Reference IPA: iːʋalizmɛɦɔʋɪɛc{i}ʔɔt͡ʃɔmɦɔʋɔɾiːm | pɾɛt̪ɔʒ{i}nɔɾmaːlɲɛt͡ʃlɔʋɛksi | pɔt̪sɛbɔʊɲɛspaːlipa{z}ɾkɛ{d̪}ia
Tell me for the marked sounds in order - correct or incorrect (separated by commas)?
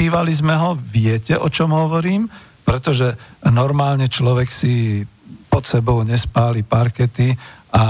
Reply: incorrect, incorrect, incorrect, incorrect